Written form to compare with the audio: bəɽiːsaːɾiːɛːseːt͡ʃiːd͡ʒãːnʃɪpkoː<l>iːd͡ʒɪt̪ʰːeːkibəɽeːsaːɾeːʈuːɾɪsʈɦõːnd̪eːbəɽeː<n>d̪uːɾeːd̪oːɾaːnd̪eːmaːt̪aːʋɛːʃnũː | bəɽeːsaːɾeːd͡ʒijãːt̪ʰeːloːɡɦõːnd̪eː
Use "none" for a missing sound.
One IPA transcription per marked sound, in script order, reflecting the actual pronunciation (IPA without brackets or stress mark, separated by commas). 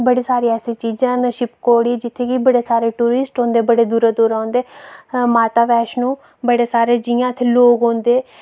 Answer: ɽ, none